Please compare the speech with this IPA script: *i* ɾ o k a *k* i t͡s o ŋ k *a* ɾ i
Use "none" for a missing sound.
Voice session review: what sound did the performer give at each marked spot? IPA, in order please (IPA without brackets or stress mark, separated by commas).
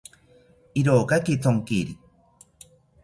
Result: i, k, i